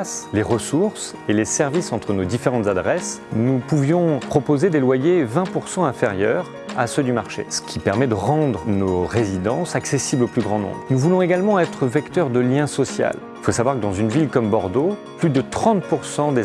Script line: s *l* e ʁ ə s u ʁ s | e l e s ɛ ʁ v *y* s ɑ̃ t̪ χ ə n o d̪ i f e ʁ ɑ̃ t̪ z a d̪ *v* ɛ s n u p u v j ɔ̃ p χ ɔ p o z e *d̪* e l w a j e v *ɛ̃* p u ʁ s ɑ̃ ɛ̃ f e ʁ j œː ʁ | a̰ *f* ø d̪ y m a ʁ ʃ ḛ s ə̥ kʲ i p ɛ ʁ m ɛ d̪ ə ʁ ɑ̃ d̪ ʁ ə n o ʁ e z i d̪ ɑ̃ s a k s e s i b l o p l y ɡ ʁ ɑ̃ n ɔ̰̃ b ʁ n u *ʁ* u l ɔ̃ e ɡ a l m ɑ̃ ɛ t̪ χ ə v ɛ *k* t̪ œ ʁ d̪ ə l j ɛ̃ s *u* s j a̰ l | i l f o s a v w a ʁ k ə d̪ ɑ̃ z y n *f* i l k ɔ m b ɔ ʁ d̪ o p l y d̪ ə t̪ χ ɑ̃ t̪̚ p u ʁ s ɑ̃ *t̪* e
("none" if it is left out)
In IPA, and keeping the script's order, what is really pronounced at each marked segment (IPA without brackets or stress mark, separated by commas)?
l, i, ʁ, d̪, ɛ̃, s, v, k, ɔ, v, d̪